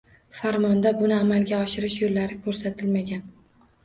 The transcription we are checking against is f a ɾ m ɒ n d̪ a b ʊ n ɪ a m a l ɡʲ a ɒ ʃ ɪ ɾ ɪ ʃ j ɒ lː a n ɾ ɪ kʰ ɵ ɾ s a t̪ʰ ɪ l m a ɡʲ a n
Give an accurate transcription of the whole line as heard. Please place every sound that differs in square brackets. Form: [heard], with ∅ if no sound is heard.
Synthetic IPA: f a ɾ m ɒ n d̪ a b ʊ n ɪ a m a l ɡʲ a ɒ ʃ ɪ ɾ ɪ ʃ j [o] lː a [∅] ɾ ɪ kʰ ɵ ɾ s a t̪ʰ ɪ l m a ɡʲ a n